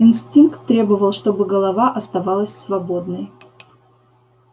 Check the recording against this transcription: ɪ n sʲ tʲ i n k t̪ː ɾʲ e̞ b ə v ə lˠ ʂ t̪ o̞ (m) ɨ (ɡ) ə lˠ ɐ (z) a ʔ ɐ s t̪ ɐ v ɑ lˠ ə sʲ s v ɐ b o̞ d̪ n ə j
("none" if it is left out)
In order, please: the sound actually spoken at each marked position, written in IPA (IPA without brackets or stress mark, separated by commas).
b, ɡ, v